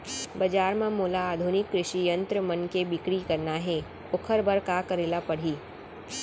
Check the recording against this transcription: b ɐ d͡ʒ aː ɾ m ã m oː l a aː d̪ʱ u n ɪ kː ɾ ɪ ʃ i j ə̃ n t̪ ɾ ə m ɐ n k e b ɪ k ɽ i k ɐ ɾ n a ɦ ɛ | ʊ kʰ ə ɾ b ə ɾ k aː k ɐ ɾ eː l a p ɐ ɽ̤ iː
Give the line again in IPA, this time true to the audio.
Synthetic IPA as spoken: b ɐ d͡ʒ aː ɾ m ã m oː l a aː d̪ʱ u n ɪ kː ɾ ɪ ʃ i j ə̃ n t̪ ɾ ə m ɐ n k e b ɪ k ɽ i k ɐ ɾ n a ɦ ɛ | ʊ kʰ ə ɾ b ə ɾ k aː k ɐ ɾ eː l a p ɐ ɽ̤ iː